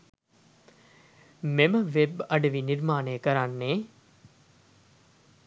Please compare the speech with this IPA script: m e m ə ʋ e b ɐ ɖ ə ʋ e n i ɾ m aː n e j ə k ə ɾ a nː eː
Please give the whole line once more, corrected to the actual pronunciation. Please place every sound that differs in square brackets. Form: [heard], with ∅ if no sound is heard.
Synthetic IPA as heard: m e m ə ʋ e b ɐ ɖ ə ʋ [i] n i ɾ m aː n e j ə k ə ɾ a nː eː